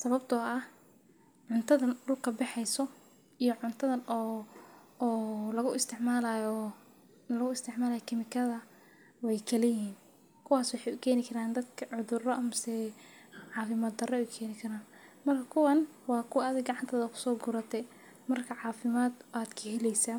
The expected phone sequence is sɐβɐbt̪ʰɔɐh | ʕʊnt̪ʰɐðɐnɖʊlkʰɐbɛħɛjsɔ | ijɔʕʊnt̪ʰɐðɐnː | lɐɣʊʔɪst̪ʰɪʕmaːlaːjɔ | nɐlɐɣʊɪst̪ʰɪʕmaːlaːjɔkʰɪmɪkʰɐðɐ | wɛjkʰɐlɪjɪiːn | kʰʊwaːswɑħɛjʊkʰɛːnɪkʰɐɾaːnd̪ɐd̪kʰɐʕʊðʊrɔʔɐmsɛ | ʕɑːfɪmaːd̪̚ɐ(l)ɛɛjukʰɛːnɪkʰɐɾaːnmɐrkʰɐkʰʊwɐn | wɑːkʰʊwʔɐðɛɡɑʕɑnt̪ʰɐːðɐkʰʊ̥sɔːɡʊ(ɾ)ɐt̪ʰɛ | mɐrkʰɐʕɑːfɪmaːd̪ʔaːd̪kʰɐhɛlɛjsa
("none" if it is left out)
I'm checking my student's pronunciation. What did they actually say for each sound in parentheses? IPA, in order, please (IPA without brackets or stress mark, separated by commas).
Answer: r, ɾ